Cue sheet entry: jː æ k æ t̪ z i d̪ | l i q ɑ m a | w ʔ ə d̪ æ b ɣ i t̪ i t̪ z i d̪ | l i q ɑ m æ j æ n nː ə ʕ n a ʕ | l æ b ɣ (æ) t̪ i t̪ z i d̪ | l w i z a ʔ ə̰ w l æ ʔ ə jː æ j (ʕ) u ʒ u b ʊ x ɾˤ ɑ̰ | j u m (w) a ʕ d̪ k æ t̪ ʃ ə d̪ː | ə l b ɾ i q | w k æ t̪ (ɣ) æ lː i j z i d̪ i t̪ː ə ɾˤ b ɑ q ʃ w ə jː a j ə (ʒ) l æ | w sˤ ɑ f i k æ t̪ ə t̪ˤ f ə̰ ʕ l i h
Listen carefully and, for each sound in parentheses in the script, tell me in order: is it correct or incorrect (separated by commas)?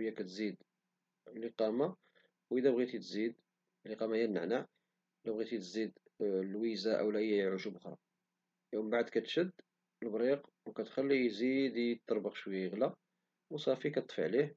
incorrect, correct, incorrect, incorrect, incorrect